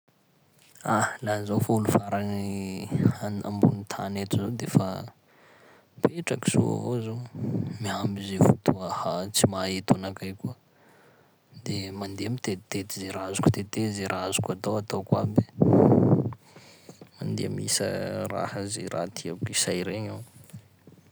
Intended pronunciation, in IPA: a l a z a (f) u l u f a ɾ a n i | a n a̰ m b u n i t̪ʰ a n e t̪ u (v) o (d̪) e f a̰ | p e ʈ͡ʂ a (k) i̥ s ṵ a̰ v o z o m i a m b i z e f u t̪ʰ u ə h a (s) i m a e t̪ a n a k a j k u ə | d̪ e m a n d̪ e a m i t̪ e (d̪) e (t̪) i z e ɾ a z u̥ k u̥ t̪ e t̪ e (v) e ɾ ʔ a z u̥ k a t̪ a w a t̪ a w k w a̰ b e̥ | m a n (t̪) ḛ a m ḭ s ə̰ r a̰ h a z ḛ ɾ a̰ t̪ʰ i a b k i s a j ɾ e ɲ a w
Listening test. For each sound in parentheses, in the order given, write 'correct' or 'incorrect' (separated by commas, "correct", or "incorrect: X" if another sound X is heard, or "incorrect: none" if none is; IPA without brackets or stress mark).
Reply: correct, incorrect: z, correct, correct, incorrect: t͡s, incorrect: t̪, correct, incorrect: z, incorrect: d̪